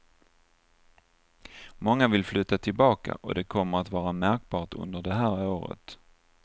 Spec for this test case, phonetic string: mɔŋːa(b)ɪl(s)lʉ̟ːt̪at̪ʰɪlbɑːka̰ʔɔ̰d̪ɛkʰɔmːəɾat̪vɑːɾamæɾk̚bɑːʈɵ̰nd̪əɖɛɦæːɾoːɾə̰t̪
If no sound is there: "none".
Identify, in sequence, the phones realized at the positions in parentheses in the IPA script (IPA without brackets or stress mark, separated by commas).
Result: v, f